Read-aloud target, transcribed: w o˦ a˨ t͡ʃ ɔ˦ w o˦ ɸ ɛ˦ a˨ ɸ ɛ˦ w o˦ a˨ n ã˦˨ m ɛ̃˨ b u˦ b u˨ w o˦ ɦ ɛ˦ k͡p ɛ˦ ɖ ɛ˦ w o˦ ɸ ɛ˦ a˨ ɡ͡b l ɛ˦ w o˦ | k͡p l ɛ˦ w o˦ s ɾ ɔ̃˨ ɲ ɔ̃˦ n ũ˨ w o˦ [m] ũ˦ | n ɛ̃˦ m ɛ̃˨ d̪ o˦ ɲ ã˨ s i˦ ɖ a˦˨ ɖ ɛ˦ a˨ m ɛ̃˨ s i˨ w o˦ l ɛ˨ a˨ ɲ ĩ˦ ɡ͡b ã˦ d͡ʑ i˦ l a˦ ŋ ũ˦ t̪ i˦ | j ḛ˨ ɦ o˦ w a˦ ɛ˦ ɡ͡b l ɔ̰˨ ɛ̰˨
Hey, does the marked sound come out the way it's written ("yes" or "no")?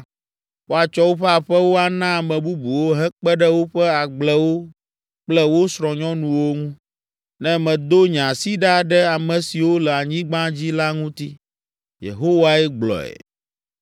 no